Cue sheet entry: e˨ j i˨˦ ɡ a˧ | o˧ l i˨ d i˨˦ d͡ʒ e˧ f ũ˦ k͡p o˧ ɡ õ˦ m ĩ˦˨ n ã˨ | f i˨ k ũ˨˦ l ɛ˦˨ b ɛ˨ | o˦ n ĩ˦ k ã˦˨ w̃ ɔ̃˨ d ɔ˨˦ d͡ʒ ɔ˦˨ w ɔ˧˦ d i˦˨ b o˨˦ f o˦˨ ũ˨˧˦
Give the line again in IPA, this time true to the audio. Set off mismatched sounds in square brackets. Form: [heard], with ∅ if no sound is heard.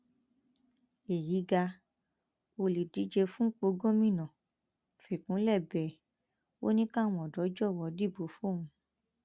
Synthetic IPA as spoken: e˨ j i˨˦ ɡ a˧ | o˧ l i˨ d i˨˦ d͡ʒ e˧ f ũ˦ k͡p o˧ ɡ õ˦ m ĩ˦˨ n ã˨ | f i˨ k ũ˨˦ l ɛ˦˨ b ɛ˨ | o˦ n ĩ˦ k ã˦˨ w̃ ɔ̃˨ d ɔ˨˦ d͡ʒ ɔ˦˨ w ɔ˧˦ d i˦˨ b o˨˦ f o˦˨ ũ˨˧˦